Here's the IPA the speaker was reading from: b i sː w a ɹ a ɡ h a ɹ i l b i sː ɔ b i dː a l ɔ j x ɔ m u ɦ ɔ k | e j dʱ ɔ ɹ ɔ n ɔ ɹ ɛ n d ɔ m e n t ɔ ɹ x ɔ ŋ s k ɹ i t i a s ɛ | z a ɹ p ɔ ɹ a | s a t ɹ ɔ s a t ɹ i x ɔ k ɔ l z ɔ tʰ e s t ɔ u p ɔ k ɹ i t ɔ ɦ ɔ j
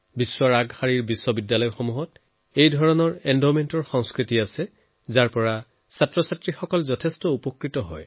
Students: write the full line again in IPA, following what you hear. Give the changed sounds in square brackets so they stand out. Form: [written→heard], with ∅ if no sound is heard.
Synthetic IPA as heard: b i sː w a ɹ a ɡ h a ɹ i [l→ɹ] b i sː ɔ b i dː a l ɔ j x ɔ m u ɦ ɔ [k→t] | e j dʱ ɔ ɹ ɔ n ɔ ɹ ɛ n d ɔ m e n t ɔ ɹ x ɔ ŋ s k ɹ i t i a s ɛ | z a ɹ p ɔ ɹ a | s a t ɹ ɔ s a t ɹ i x ɔ k ɔ l z ɔ tʰ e s t ɔ u p ɔ k ɹ i t ɔ ɦ ɔ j

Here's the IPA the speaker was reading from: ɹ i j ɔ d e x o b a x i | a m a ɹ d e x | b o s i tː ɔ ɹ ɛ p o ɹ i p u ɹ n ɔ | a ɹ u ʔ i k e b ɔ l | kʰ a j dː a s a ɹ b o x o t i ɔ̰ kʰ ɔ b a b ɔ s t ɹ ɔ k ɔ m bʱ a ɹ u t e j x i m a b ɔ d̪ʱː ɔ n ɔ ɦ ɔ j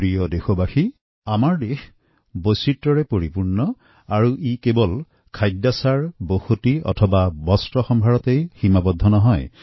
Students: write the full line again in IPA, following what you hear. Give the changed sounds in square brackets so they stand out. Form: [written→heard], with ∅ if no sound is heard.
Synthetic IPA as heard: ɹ i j ɔ d e x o b a x i | a m a ɹ d e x | b o s i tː ɔ ɹ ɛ p o ɹ i p u ɹ n ɔ | a ɹ u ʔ i k e b ɔ l | kʰ a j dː a s a ɹ b o x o t i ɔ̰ [kʰ→tʰ] ɔ b a b ɔ s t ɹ ɔ [k→x] ɔ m bʱ a ɹ [u→ɔ] t e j x i m a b ɔ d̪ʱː ɔ n ɔ ɦ ɔ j

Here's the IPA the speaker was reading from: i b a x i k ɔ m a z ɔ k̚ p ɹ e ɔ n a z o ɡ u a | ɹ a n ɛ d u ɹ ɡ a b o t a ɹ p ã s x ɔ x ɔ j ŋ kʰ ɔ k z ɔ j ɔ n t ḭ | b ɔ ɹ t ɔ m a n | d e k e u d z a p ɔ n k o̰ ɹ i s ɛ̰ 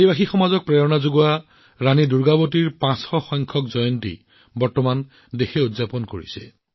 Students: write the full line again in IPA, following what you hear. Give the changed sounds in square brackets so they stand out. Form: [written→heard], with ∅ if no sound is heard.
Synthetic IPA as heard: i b a x i [k→x] ɔ m a z ɔ k̚ p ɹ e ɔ n a z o ɡ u a | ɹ a n [ɛ→i] d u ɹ ɡ a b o t [a→i] ɹ p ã s x ɔ x ɔ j ŋ kʰ ɔ k z ɔ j ɔ n t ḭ | b ɔ ɹ t ɔ m a n | d e [k→x] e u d z a p ɔ n k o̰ ɹ i s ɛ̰

